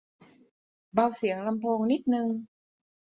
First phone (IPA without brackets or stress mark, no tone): b